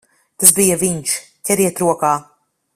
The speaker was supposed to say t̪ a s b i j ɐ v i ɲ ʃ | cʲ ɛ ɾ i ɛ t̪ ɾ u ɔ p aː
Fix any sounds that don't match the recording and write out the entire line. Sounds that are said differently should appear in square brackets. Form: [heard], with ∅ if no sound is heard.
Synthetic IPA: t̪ a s b i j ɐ v i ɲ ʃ | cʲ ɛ ɾ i ɛ t̪ ɾ u ɔ [k] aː